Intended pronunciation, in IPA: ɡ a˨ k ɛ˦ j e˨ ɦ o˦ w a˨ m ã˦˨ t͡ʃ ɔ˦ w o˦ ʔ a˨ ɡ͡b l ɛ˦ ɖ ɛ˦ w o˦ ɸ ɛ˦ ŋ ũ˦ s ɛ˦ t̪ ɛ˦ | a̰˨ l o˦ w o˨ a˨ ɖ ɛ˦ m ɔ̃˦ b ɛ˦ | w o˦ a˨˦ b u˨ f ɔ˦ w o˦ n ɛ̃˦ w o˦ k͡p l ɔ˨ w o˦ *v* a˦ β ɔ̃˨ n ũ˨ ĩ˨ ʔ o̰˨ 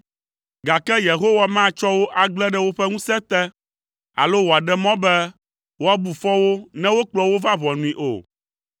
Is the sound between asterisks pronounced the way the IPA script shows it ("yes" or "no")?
yes